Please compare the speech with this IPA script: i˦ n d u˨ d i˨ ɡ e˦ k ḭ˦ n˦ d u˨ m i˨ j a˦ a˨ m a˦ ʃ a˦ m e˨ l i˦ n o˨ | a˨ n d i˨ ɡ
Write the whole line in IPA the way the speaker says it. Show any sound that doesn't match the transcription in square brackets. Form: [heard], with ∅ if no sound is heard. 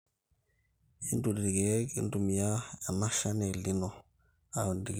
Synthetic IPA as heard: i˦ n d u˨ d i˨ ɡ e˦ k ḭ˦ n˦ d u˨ m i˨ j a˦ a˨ m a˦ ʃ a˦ [n] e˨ l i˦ n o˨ | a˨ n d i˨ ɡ